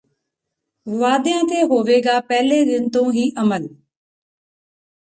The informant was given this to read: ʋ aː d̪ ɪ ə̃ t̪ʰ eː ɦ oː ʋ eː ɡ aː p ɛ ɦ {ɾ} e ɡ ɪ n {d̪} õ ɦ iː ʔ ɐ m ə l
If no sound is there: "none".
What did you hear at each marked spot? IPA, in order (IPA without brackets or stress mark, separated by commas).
l, t̪